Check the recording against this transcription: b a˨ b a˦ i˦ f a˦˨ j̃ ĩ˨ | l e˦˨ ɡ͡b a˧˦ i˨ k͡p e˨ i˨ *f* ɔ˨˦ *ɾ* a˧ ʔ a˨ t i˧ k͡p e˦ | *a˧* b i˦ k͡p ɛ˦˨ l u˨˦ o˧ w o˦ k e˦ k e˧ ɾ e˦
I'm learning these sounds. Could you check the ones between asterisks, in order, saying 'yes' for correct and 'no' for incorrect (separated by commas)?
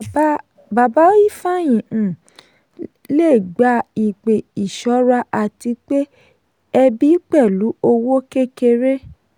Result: no, yes, no